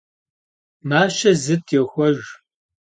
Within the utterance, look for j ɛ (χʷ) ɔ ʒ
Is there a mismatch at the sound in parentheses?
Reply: yes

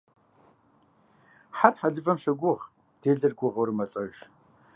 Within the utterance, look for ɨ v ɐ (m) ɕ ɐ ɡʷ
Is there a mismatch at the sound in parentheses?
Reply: no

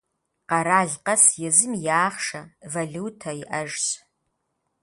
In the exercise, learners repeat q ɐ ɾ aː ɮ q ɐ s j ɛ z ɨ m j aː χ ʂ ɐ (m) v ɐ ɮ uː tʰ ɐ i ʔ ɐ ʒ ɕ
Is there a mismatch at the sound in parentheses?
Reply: yes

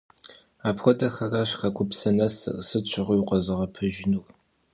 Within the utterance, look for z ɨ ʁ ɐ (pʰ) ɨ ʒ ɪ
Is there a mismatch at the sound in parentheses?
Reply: no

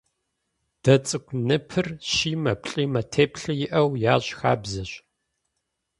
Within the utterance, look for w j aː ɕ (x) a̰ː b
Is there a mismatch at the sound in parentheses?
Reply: no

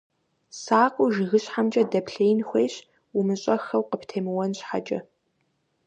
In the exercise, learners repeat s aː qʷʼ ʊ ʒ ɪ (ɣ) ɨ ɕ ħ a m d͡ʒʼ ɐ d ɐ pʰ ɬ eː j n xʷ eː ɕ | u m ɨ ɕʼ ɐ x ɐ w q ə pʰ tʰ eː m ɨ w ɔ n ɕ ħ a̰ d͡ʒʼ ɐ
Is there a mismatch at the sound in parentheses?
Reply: no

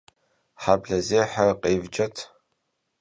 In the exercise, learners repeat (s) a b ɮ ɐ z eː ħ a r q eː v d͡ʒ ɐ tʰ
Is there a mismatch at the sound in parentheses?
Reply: yes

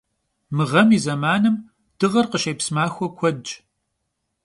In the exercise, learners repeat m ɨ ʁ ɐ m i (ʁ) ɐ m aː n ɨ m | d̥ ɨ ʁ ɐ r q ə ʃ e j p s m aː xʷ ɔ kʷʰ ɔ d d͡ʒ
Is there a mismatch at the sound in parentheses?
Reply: yes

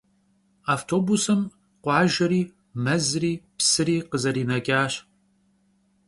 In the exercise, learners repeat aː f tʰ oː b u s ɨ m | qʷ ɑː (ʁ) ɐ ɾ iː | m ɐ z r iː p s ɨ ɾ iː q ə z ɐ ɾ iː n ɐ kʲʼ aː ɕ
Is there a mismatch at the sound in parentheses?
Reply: yes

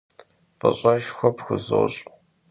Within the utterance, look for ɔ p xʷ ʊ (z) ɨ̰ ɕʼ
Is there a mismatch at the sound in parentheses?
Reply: no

